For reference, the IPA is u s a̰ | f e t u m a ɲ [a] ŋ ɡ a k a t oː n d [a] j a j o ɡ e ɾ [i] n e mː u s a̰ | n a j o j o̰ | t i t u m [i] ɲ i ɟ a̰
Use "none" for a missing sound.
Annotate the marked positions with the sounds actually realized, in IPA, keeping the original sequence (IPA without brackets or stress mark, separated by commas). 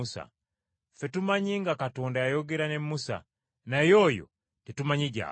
i, a, a, a